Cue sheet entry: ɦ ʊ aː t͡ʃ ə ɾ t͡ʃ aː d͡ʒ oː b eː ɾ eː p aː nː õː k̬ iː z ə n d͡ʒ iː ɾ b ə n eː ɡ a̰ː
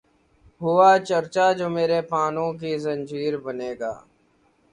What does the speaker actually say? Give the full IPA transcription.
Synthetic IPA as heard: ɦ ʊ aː t͡ʃ ə ɾ t͡ʃ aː d͡ʒ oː m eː ɾ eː p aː n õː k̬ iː z ə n d͡ʒ iː ɾ b ə n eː ɡ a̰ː